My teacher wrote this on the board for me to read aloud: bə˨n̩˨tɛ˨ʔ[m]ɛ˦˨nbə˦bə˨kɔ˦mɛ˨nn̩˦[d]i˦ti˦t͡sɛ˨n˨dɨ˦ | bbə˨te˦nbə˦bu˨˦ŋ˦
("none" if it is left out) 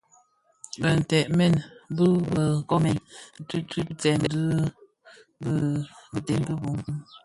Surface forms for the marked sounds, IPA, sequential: m, t

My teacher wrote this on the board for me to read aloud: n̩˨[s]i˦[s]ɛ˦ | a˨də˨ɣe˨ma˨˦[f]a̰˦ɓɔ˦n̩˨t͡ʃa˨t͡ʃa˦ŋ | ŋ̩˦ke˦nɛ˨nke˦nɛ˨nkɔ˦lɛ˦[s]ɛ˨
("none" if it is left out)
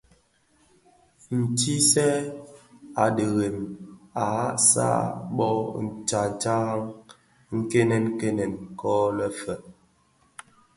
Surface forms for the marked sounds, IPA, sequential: t, s, s, f

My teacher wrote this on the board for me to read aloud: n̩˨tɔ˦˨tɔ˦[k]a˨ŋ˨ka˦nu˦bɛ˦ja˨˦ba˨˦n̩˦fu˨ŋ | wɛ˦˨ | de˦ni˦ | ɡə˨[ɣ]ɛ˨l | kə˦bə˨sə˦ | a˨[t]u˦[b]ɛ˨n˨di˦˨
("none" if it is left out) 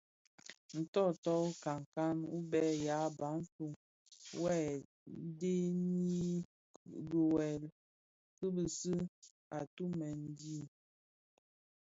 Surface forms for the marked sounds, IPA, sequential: k, w, t, m

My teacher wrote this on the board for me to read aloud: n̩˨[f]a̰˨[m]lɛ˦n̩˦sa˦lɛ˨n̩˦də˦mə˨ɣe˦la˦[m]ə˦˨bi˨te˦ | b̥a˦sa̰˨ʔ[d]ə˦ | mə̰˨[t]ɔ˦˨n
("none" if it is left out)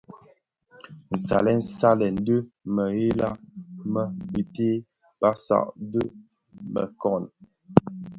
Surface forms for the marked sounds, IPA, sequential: s, none, m, d, k

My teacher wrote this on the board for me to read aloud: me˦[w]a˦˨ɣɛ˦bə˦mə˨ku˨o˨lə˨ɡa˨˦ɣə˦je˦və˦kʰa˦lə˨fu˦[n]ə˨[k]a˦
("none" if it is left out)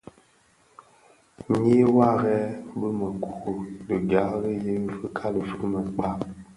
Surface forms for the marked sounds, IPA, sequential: w, m, k͡p

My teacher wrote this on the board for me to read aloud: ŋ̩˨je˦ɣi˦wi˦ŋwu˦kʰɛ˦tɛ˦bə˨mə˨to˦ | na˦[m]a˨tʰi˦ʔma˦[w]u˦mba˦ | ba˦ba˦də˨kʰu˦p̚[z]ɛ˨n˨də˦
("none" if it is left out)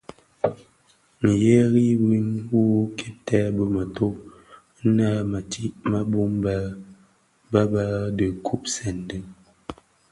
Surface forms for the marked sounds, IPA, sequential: m, b, s

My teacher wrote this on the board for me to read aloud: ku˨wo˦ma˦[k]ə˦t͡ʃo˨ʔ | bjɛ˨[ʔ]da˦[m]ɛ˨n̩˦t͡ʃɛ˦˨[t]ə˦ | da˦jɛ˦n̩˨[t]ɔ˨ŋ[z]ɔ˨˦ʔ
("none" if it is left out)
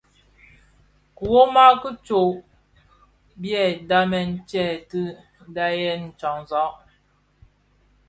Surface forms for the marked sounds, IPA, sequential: k, none, m, t, t͡ʃ, z

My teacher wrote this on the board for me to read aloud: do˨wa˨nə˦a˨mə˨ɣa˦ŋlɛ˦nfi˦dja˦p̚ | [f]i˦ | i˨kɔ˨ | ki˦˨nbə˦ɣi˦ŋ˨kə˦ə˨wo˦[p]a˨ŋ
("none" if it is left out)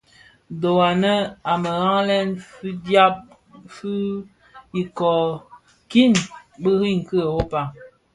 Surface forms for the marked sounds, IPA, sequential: f, p

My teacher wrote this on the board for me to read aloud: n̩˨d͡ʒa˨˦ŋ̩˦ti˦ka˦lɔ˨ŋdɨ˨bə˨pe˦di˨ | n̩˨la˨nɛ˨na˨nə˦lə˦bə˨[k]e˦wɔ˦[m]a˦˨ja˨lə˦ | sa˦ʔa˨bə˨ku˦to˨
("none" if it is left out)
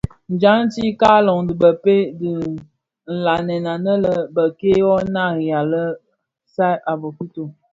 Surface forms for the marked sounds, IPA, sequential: k, n

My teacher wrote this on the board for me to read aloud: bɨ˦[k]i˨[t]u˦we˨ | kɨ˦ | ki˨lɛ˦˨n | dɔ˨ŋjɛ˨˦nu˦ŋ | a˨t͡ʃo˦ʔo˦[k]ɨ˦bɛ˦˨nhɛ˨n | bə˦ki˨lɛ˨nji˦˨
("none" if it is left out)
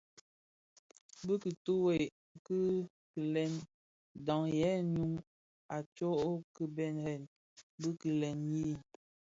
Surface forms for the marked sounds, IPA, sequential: k, t, k

